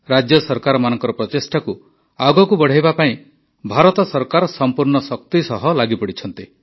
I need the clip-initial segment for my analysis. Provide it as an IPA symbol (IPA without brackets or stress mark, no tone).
ɾ